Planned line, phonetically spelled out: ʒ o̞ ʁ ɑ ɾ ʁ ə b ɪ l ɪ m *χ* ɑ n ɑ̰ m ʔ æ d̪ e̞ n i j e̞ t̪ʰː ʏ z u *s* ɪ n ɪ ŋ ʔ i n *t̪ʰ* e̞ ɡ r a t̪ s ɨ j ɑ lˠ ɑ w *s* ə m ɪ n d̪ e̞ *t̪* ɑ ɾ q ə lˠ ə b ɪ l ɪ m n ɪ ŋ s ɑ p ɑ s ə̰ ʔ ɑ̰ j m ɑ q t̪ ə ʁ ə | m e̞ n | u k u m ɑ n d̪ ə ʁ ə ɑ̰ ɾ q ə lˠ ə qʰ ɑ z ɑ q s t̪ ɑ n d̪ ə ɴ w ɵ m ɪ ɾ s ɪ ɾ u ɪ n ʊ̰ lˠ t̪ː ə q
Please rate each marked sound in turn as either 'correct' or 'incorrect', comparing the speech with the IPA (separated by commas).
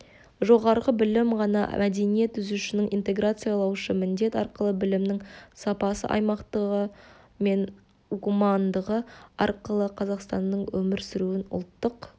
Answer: incorrect, incorrect, incorrect, incorrect, correct